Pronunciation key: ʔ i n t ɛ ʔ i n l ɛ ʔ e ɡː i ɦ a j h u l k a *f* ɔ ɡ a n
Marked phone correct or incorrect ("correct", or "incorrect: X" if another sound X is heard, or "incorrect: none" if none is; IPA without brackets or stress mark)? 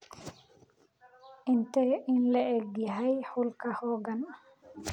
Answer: incorrect: h